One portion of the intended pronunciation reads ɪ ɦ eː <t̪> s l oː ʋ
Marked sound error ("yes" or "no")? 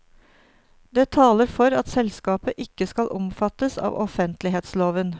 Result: no